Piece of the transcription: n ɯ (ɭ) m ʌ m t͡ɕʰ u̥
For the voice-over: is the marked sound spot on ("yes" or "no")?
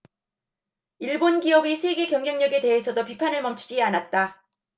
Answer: yes